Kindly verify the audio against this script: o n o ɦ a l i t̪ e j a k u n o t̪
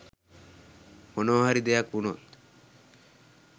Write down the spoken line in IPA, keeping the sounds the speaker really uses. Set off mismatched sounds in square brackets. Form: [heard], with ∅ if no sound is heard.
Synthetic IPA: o n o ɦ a [ɾ] i [d̪] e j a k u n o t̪